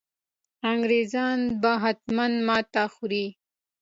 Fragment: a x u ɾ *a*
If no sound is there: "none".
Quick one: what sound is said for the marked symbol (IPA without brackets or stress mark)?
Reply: i